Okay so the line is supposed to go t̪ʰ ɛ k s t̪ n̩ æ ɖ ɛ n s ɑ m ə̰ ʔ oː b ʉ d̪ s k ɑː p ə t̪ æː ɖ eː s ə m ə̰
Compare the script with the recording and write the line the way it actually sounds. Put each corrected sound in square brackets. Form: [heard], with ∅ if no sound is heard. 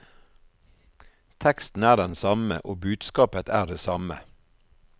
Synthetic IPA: t̪ʰ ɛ k s t̪ n̩ [æː] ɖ ɛ n s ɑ m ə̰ ʔ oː b [ʉː] d̪ s k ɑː p ə t̪ æː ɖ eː s [ɑ] m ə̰